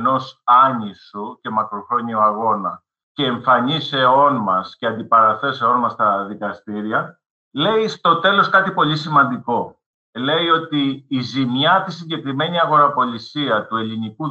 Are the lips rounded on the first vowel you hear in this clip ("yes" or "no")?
yes